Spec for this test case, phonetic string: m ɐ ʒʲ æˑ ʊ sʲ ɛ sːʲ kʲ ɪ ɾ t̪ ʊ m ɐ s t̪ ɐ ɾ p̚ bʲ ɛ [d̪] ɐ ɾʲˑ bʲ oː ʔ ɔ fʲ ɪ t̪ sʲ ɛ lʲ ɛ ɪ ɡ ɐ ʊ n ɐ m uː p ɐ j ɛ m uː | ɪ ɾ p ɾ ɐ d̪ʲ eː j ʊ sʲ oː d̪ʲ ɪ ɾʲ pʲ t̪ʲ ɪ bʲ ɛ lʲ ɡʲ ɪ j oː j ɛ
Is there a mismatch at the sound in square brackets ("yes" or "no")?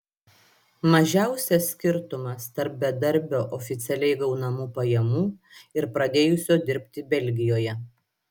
no